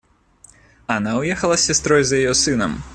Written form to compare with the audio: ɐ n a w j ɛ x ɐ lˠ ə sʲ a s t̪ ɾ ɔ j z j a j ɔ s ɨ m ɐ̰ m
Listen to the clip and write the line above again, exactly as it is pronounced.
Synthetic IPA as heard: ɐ n a w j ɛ x ɐ lˠ ɐ sʲ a s t̪ ɾ ɔ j z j a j ɔ s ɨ n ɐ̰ m